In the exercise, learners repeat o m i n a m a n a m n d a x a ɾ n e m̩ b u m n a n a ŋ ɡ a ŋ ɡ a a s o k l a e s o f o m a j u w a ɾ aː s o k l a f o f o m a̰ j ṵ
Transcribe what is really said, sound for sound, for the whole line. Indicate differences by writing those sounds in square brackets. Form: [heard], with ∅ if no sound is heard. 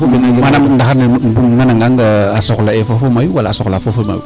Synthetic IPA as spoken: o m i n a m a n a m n d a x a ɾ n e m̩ b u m n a n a ŋ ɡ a ŋ ɡ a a s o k l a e [f] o f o m a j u w a [l] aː s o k l a f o f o m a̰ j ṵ